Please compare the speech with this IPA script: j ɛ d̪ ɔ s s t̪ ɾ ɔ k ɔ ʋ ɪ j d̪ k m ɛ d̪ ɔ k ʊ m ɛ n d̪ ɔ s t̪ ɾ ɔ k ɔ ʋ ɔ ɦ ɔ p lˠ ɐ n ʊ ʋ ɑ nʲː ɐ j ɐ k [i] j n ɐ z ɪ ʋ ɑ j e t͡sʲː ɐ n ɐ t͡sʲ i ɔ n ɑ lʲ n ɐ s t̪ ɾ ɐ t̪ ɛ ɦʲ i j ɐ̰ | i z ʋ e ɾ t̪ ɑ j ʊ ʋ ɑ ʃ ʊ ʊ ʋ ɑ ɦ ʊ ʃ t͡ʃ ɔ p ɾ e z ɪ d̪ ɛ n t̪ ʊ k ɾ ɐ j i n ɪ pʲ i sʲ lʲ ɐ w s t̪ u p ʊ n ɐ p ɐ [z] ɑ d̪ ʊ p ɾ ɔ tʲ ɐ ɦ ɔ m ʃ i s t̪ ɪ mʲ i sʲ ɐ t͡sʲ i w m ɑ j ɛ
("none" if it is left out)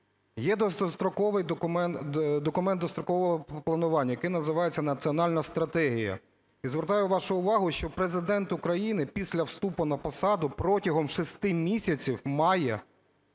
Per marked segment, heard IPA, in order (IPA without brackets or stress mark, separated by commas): ɪ, s